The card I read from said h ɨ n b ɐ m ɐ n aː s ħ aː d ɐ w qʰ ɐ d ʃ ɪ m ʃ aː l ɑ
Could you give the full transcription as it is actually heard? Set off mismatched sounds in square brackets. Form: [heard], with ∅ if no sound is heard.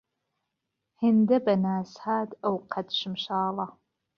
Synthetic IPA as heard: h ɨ n [d] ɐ [b] ɐ n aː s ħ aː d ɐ w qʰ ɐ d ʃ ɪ m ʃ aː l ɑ